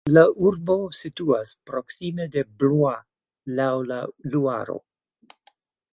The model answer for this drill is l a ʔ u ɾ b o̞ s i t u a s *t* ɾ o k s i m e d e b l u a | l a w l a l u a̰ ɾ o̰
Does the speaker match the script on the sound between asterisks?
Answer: no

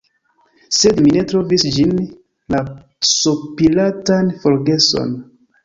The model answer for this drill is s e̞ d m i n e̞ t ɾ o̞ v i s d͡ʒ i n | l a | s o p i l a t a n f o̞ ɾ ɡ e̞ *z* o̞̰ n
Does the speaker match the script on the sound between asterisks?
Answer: no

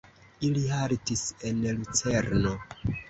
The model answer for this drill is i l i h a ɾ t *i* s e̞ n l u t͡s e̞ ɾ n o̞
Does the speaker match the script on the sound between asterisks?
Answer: yes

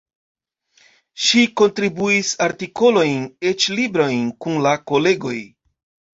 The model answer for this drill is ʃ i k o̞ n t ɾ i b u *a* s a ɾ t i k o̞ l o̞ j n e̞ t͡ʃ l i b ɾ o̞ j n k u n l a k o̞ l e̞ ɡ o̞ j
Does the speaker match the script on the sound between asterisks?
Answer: no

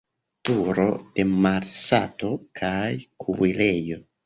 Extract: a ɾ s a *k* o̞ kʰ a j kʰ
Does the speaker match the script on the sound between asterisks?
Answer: no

